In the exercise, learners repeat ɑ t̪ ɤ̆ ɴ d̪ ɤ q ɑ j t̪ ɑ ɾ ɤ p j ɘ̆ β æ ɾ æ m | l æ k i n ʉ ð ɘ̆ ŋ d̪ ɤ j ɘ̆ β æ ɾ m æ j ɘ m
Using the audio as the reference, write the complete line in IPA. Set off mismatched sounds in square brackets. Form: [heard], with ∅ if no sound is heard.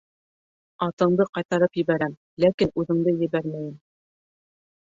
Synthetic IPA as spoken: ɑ t̪ ɤ̆ ɴ d̪ ɤ q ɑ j t̪ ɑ ɾ ɤ p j ɘ̆ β æ ɾ æ m | l æ k i n ʉ ð ɘ̆ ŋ d̪ ɤ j ɘ̆ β æ ɾ m æ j ɘ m